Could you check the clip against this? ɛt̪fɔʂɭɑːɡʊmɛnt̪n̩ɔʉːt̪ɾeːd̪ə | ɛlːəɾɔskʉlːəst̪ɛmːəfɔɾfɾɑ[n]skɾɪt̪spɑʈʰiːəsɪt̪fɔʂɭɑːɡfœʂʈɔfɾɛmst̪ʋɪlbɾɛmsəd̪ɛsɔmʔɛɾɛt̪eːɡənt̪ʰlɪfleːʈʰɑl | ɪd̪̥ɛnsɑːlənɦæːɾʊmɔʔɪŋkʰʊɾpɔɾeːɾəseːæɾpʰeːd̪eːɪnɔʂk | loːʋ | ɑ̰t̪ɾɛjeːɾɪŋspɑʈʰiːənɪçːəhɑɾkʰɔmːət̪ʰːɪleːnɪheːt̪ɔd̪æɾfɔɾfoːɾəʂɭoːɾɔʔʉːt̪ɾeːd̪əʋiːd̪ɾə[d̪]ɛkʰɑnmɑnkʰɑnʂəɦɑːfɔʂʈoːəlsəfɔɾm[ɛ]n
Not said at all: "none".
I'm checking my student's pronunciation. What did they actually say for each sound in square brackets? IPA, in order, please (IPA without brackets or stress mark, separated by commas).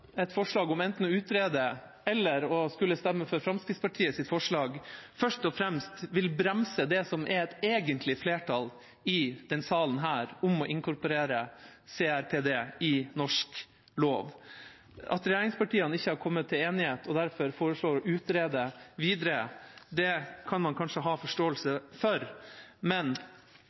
m, d̪, ɛ